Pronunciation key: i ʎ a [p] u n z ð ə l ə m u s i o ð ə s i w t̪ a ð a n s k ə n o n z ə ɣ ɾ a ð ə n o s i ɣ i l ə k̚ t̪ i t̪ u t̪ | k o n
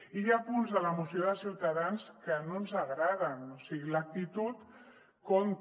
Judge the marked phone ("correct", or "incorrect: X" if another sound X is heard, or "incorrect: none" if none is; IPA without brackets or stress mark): correct